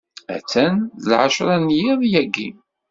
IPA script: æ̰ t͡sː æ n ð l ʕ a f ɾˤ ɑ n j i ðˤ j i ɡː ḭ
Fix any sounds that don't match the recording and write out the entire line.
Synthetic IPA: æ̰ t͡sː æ n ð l ʕ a ʃ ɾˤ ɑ n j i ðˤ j æ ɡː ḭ